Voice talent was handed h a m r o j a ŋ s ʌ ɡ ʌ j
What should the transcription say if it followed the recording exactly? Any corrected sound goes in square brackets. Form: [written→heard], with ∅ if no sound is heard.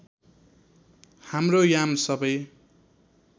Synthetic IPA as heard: h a m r o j a [ŋ→m] s ʌ [ɡ→b] ʌ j